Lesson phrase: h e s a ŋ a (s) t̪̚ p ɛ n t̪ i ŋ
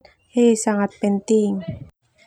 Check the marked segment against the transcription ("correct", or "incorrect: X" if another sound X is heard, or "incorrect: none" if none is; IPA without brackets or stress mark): incorrect: none